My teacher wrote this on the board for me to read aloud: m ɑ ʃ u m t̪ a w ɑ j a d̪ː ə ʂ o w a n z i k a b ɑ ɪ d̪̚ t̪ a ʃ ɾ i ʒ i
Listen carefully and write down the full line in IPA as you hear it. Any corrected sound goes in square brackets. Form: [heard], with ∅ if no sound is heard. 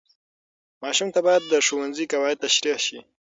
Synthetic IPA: m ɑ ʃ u m t̪ a [b] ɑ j a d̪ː ə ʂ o w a n z i k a [w] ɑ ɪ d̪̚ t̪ a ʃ ɾ i [ʃ] i